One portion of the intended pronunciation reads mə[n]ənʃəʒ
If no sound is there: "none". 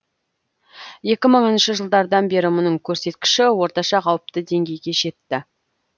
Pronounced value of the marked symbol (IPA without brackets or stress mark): ɴ